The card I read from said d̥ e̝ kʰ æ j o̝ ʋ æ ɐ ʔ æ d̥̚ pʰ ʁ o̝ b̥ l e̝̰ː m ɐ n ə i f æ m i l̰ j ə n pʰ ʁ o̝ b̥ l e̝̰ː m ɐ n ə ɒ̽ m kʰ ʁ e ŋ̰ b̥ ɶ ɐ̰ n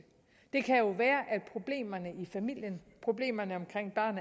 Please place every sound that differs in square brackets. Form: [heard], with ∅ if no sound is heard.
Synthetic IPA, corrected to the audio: d̥ e̝ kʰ æ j o̝ ʋ [æː] ɐ ʔ æ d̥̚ pʰ ʁ o̝ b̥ l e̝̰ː m ɐ n ə i f æ m i l̰ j ə n pʰ ʁ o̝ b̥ l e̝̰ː m ɐ n ə ɒ̽ m kʰ ʁ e ŋ̰ b̥ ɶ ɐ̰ n